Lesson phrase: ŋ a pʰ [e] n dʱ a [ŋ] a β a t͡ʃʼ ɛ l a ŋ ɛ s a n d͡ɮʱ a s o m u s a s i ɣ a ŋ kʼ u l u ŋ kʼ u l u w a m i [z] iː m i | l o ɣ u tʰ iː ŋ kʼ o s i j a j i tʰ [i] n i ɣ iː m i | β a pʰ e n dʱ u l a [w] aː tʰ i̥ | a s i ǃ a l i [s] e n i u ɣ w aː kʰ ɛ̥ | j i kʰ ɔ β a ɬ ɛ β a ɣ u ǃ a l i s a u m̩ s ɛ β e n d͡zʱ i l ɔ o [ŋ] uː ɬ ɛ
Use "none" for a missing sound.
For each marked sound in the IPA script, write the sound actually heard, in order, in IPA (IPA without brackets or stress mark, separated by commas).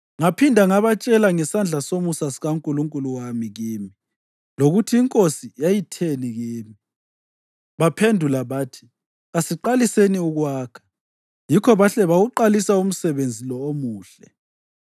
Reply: i, ŋ, ɣ, e, β, s, m